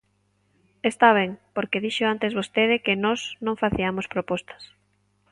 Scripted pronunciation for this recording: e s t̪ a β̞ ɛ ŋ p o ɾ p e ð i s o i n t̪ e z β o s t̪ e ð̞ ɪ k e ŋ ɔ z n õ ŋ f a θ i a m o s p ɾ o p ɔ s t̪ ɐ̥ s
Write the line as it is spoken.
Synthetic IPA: e s t̪ a β̞ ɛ ŋ p o ɾ k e ð i ʃ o a n t̪ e z β o s t̪ e ð̞ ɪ k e n ɔ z n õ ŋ f a θ i a m o s p ɾ o p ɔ s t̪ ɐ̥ s

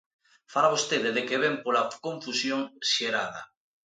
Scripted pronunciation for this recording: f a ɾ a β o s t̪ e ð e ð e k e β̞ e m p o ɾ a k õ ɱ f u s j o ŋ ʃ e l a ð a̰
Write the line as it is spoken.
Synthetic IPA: f a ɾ a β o s t̪ e ð e ð e k e β̞ e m p o l a k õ ɱ f u s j o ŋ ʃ e ɾ a ð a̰

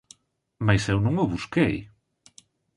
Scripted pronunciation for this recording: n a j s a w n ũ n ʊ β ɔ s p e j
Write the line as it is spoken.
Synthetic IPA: m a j s e w n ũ ŋ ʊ β u s k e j

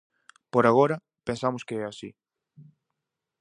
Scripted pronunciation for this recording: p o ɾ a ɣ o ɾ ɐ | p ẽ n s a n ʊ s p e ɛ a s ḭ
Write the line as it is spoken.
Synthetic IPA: p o ɾ a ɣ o ɾ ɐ | p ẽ n s a m ʊ s k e ɛ a s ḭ

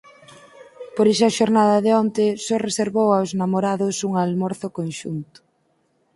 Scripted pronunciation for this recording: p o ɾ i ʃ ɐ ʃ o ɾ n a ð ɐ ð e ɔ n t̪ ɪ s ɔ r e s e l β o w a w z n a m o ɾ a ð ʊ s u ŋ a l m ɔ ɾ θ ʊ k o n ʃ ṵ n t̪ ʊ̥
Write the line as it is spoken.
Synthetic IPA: p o ɾ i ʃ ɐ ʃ o ɾ n a ð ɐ ð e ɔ n t̪ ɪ s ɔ r e s e ɾ β o w a w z n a m o ɾ a ð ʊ s u ŋ a l m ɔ ɾ θ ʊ k o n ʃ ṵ n t̪ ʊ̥

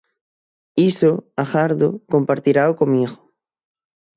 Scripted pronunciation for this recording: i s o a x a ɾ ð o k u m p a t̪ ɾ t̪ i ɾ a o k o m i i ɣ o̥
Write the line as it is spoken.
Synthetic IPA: i s o a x a ɾ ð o k o m p a ɾ t̪ i ɾ a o k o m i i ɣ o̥

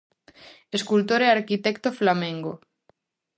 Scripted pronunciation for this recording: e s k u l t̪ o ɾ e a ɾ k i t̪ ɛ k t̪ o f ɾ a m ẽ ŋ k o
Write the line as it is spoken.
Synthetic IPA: e s k u l t̪ o ɾ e a ɾ k i t̪ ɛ k t̪ o f l a m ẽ ŋ ɡ o

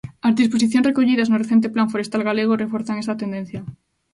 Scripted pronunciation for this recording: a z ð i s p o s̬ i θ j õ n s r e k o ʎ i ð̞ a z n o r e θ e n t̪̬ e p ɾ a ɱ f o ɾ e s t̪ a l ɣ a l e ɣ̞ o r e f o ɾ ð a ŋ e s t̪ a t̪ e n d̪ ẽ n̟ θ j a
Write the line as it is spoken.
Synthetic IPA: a z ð i s p o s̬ i θ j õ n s r e k o ʎ i ð̞ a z n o r e θ e n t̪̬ e p l a ɱ f o ɾ e s t̪ a l ɣ a l e ɣ̞ o r e f o ɾ θ a ŋ e s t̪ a t̪ e n d̪ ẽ n̟ θ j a

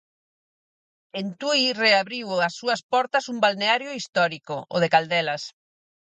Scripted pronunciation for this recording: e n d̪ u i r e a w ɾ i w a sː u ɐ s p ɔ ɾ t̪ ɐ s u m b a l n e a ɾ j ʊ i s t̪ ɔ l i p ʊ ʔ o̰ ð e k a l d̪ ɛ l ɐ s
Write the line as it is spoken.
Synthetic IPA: e n t̪ u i r e a β ɾ i w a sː u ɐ s p ɔ ɾ t̪ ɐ s u m b a l n e a ɾ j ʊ i s t̪ ɔ ɾ i k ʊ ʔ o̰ ð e k a l d̪ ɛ l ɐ s

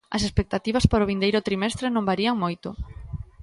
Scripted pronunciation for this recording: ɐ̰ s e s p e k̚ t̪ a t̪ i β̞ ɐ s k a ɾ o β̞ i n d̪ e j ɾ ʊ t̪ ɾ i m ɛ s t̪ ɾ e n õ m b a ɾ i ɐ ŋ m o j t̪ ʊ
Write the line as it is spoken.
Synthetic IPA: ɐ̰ s e s p e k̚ t̪ a t̪ i β̞ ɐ s p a ɾ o β̞ i n d̪ e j ɾ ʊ t̪ ɾ i m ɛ s t̪ ɾ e n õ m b a ɾ i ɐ ŋ m o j t̪ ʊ

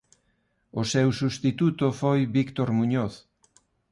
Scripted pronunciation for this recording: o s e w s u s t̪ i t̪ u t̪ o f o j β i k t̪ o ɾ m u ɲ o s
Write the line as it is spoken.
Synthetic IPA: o s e w s u s t̪ i t̪ u t̪ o f o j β i k t̪ o ɾ m u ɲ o θ

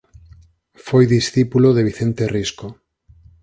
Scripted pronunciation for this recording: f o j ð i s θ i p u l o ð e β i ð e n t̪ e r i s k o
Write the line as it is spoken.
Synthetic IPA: f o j ð i s θ i p u l o ð e β i θ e n t̪ e r i s k o

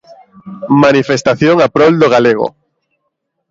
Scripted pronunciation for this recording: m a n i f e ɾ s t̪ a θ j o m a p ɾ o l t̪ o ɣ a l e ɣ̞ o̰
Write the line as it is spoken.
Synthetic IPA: m a n i f e s t̪ a θ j o ŋ a p ɾ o l d̪ o ɣ a l e ɣ̞ o̰

